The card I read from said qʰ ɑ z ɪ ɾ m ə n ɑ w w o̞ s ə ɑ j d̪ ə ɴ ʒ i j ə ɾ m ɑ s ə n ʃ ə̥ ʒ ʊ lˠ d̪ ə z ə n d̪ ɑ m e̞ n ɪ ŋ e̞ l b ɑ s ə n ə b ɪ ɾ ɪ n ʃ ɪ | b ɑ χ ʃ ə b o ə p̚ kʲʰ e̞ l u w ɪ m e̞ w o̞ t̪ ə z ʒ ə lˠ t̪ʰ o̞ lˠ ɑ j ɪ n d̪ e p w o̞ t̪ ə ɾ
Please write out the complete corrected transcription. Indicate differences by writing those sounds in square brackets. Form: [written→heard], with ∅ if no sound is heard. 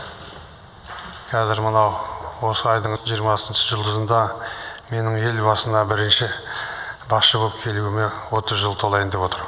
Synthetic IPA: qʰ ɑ z ɪ ɾ m ə n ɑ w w o̞ s ə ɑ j d̪ ə ɴ ʒ i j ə ɾ m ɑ s ə n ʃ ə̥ ʒ ʊ lˠ d̪ ə z ə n d̪ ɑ m e̞ n ɪ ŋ e̞ l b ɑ s ə n [ə→ɑ] b ɪ ɾ ɪ n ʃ ɪ | b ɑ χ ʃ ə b o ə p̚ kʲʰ e̞ l u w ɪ m e̞ w o̞ t̪ ə z ʒ ə lˠ t̪ʰ o̞ lˠ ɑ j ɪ n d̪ e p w o̞ t̪ ə ɾ